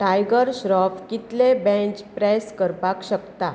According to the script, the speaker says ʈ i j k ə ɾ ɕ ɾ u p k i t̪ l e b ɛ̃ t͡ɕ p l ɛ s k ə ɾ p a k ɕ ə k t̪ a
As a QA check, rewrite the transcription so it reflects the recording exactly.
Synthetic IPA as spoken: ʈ a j ɡ ə ɾ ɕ ɾ ɔ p k i t̪ l e b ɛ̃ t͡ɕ p ɾ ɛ s k ə ɾ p a k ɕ ə k t̪ a